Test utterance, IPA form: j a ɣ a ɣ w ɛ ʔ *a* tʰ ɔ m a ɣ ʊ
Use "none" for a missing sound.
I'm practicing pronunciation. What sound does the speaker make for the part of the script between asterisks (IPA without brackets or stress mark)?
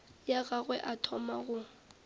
a